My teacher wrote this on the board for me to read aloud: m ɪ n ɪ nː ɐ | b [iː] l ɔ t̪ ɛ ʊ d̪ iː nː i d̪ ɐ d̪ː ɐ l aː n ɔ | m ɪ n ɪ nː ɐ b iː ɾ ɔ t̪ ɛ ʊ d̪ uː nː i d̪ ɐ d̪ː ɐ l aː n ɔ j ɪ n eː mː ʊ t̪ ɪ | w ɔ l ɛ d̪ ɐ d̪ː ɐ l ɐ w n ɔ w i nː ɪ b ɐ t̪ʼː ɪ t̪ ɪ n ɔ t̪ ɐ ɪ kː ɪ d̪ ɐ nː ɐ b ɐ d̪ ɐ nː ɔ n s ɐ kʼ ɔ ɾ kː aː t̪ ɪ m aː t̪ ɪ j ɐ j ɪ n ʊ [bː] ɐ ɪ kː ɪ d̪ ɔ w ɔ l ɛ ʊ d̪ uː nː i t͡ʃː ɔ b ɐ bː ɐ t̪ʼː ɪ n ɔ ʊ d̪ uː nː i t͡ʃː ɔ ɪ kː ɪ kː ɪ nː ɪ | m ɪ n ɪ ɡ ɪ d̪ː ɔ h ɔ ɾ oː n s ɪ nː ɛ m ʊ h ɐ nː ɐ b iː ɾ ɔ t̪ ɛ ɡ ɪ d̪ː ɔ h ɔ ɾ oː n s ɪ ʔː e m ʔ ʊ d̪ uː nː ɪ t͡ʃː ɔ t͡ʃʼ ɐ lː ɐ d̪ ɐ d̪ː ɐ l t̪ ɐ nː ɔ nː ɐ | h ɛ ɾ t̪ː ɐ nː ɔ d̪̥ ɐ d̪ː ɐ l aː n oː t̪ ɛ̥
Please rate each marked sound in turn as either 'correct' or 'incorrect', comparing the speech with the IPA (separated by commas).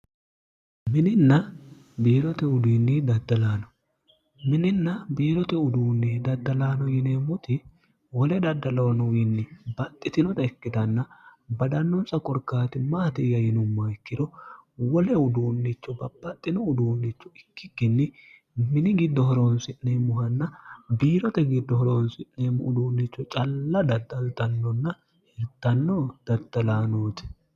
correct, incorrect